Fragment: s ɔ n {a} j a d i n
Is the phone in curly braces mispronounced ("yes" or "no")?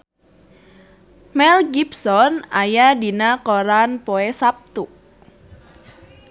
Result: no